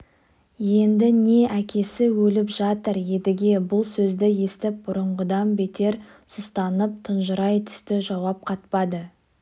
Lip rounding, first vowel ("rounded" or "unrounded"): unrounded